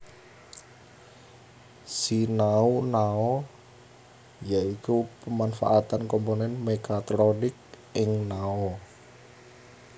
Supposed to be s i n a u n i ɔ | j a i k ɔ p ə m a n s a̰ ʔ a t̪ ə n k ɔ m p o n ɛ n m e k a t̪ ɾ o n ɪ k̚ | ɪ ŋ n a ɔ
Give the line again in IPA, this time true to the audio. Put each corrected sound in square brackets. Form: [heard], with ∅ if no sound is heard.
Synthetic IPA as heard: s i n a u n [a] ɔ | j a i k [u] p ə m a n [f] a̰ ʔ a t̪ [a] n k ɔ m p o n ɛ n m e k a t̪ ɾ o n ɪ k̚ | ɪ ŋ n a ɔ